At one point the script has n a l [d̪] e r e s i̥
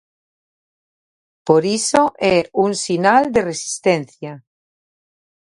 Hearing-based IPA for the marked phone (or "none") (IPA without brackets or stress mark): d̪